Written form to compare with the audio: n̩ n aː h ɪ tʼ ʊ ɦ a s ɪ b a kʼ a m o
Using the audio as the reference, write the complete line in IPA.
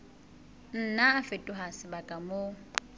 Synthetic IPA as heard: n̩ n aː f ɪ tʼ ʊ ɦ a s ɪ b a kʼ a m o